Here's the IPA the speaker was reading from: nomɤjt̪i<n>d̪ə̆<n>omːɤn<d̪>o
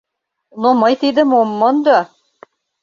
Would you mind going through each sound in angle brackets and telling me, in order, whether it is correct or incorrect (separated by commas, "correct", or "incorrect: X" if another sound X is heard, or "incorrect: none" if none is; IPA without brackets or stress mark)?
incorrect: none, incorrect: m, correct